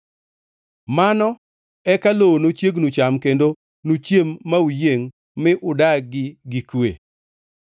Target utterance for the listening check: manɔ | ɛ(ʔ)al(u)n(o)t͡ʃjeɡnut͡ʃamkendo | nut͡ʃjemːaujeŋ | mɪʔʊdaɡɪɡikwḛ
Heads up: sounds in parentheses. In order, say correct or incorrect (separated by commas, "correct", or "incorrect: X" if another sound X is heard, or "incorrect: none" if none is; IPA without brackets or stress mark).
incorrect: k, incorrect: o, correct